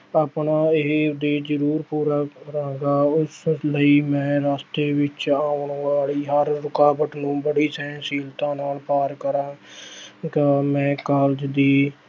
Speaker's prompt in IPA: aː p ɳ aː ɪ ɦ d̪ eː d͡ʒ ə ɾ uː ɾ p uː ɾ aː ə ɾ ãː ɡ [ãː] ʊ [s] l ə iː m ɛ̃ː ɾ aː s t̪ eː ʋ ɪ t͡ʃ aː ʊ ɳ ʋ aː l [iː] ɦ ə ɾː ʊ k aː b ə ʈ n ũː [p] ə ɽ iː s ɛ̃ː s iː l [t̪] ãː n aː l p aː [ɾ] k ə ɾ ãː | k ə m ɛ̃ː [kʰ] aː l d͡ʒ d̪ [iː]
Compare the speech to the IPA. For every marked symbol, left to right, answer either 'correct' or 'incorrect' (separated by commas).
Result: incorrect, correct, correct, incorrect, correct, correct, incorrect, correct